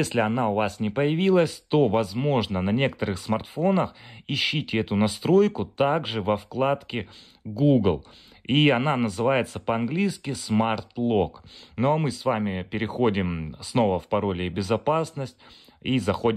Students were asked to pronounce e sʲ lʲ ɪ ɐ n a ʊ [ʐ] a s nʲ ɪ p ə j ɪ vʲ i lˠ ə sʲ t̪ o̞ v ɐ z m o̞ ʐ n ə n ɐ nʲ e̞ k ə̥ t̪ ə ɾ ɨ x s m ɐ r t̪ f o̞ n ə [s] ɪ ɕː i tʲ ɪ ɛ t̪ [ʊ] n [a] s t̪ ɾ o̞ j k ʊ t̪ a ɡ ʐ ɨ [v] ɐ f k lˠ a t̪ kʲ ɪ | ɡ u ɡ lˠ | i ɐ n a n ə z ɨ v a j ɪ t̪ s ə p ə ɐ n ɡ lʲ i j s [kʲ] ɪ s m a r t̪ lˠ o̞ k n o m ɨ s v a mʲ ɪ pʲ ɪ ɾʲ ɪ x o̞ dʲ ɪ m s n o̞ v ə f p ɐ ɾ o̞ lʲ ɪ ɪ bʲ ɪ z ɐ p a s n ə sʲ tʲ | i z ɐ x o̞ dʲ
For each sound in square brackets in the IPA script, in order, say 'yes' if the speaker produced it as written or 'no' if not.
no, no, yes, no, yes, yes

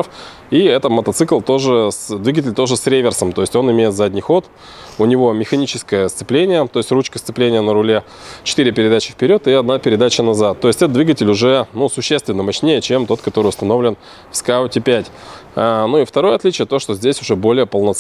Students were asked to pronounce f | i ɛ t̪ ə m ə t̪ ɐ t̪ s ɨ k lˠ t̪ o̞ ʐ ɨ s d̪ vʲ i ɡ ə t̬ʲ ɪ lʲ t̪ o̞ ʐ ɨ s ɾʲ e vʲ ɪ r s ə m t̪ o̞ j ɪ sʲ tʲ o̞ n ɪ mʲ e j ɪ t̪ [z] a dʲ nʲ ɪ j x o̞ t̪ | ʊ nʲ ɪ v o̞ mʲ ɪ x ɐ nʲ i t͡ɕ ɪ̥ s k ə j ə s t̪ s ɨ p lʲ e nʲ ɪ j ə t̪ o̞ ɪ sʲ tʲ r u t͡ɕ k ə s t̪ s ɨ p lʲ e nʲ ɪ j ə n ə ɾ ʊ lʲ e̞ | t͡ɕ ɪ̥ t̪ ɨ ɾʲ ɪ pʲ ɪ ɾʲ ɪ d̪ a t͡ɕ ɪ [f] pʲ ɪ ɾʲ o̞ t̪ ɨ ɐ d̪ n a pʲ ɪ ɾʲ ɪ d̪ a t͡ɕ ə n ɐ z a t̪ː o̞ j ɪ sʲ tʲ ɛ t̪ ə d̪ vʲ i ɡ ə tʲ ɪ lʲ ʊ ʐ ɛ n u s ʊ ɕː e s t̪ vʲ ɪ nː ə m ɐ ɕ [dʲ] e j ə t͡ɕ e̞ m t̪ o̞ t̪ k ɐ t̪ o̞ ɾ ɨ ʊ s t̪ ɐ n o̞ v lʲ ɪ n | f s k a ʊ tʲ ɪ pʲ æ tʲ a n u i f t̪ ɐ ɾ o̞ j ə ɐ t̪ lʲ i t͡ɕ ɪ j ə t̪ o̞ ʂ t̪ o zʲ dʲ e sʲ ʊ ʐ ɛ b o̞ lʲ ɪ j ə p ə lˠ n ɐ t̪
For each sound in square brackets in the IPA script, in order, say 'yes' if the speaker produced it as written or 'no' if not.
yes, yes, no

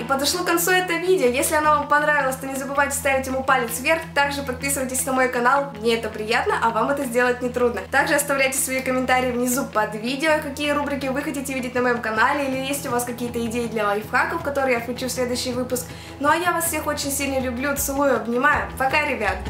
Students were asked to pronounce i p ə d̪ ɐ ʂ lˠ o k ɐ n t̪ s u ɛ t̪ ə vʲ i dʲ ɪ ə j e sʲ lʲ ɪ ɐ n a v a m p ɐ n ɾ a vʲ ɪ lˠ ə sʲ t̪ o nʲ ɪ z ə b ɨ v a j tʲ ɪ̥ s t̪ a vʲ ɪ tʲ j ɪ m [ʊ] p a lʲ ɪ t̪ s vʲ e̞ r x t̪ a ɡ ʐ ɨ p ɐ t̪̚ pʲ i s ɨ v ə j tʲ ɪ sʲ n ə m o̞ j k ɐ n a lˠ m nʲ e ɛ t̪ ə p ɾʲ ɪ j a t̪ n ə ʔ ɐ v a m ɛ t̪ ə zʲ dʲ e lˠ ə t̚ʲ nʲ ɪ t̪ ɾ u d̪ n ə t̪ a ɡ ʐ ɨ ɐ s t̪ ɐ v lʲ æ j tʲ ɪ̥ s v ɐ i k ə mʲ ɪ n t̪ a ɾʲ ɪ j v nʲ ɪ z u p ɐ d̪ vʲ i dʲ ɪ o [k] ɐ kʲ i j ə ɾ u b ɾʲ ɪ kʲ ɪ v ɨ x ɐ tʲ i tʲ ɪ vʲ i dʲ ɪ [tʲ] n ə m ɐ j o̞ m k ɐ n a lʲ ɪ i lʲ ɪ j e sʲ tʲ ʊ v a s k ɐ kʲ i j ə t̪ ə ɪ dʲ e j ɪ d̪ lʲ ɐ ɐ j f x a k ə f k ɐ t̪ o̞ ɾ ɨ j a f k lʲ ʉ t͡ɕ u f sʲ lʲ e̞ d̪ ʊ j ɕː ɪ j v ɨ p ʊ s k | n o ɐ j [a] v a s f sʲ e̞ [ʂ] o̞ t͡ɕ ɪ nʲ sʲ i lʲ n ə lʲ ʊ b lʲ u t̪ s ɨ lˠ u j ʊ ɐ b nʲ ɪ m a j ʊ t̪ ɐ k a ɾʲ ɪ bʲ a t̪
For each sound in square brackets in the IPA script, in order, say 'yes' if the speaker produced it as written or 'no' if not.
no, yes, yes, yes, no

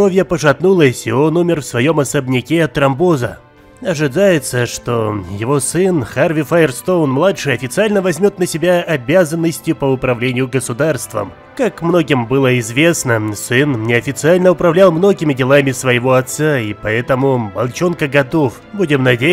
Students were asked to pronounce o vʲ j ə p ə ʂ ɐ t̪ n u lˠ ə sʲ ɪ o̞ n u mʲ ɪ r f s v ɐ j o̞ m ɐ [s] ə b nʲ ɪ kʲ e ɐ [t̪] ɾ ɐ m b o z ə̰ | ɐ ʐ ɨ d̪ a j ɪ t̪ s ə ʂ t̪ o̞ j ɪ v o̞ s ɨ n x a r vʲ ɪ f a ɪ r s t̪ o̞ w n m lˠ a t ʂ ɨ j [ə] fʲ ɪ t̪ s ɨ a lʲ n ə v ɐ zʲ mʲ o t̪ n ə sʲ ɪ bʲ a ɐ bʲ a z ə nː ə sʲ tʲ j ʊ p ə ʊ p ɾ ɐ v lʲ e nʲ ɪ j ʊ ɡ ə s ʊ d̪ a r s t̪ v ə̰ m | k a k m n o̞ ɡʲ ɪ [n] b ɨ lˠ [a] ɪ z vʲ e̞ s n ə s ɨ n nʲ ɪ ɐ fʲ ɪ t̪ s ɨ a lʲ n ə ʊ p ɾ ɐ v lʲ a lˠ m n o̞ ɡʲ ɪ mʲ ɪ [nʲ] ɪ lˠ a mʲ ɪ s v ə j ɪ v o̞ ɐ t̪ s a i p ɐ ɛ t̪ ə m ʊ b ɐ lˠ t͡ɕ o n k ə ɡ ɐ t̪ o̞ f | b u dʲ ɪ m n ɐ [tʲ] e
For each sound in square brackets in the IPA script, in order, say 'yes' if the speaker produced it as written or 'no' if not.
yes, yes, no, no, no, no, no

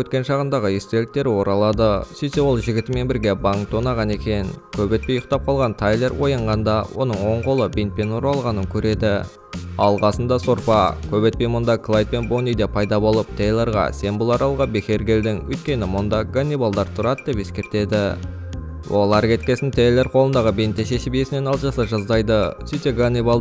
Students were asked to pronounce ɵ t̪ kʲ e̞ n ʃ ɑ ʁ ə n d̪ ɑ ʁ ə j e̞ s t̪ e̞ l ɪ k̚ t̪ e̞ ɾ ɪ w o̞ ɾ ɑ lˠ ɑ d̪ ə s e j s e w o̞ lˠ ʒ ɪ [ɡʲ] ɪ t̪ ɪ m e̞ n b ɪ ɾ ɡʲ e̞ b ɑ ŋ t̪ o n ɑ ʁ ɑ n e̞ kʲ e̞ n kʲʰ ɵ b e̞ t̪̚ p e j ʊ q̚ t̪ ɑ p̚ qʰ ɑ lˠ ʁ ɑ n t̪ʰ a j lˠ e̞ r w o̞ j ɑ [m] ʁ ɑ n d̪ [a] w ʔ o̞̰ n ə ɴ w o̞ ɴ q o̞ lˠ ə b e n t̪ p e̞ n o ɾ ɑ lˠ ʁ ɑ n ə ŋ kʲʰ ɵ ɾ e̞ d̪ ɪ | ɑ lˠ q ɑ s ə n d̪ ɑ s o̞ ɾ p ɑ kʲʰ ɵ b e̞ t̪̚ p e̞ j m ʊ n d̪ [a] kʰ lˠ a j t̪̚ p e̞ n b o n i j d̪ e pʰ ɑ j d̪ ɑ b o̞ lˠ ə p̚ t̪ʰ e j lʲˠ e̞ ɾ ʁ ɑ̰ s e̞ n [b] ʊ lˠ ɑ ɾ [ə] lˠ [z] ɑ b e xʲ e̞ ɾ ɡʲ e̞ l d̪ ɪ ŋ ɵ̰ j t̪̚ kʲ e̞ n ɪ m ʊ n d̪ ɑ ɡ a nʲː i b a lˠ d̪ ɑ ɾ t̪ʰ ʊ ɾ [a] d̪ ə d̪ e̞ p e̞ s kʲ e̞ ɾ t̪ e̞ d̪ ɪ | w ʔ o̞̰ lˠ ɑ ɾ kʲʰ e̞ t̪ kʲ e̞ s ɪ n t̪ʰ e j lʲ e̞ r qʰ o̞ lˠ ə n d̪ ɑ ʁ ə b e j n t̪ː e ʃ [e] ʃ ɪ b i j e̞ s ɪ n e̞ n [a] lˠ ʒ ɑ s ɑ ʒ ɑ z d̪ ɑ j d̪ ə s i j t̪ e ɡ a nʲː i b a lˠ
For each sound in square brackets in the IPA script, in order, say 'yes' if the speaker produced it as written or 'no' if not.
yes, no, no, no, yes, no, no, no, yes, no

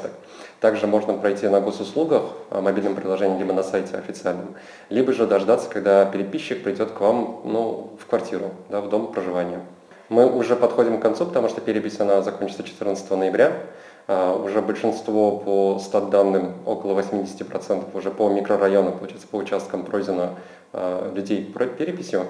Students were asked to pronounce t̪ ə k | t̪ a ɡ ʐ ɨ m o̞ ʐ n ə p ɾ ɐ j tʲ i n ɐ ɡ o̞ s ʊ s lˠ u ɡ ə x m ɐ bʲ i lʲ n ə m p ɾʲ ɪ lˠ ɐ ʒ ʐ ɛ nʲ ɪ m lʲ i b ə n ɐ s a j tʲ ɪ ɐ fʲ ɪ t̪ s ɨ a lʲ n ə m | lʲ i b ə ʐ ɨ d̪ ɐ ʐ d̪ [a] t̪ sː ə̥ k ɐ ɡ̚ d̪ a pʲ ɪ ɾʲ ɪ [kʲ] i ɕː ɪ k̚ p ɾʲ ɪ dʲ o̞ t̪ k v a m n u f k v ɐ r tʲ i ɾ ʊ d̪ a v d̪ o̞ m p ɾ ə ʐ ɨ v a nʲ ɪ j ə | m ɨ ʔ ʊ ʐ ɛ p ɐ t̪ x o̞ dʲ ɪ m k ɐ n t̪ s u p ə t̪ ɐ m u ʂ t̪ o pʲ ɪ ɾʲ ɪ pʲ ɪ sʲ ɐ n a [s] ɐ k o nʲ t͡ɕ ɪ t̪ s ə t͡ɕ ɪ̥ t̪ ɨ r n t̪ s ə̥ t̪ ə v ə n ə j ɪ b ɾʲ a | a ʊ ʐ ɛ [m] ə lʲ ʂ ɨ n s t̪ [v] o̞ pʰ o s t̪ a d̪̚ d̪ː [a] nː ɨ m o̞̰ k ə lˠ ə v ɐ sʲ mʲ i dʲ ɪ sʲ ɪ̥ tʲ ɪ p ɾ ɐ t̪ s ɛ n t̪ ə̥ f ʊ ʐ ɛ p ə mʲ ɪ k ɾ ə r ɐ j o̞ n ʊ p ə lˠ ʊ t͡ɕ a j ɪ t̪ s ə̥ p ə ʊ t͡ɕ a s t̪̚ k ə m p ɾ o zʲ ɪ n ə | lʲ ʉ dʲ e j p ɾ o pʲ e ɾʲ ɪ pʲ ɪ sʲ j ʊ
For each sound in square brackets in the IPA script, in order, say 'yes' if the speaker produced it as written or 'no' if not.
yes, no, no, no, yes, yes

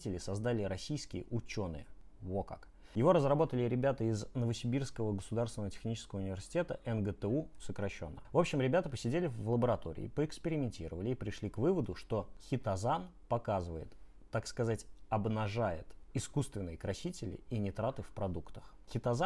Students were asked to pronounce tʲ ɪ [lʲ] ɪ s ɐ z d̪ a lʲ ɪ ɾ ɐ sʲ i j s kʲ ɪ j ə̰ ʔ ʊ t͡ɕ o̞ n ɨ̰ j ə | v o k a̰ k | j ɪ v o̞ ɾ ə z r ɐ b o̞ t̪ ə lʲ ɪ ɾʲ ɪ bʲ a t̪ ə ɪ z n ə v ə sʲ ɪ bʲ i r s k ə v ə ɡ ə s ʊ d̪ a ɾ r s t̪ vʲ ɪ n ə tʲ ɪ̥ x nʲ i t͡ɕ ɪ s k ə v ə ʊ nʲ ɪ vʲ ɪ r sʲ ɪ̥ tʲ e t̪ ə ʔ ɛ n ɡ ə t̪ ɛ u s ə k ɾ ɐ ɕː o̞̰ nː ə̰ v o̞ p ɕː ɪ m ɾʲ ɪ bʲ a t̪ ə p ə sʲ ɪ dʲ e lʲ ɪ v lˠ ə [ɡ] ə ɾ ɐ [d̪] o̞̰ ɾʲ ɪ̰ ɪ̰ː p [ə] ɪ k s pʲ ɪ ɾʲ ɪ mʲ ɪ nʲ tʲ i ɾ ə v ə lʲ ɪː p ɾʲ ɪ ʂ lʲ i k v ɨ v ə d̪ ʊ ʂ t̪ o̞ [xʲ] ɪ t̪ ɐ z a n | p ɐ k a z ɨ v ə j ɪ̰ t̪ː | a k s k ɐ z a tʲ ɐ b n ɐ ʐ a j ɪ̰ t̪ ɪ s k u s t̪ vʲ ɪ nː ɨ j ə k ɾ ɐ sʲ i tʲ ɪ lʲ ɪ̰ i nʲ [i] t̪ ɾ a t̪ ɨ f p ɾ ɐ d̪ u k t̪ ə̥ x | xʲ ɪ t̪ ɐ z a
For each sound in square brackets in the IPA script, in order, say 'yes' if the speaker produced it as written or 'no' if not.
yes, no, no, yes, yes, no

